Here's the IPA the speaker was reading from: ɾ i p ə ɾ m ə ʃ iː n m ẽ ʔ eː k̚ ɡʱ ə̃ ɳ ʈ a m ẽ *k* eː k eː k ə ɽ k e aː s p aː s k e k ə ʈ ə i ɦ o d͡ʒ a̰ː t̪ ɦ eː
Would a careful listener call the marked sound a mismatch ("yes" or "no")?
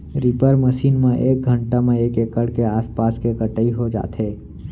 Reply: yes